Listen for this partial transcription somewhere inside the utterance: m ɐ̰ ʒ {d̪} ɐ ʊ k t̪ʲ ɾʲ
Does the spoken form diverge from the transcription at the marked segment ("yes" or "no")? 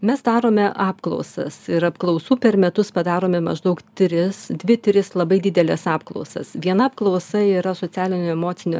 no